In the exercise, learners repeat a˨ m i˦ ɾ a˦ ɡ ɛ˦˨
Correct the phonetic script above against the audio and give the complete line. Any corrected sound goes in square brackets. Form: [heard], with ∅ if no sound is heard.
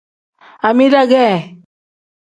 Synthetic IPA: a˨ m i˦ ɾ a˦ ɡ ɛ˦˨